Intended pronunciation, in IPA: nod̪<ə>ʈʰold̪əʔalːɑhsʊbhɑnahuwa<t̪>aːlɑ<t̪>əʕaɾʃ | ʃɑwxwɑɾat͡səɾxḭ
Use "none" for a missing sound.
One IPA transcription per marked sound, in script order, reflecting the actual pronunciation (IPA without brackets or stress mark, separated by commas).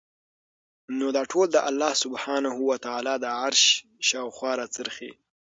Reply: ɑ, t̪, d̪